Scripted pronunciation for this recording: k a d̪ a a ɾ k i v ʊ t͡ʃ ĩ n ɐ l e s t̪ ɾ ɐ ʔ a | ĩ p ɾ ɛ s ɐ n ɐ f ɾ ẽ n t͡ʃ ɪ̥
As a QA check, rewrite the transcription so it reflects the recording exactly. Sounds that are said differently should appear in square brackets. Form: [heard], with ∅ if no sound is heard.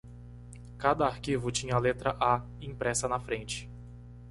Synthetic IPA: k a d̪ [ɐ] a ɾ k i v ʊ t͡ʃ ĩ [ɲ] ɐ l e [∅] t̪ ɾ ɐ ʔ a | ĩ p ɾ ɛ s ɐ n ɐ f ɾ ẽ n t͡ʃ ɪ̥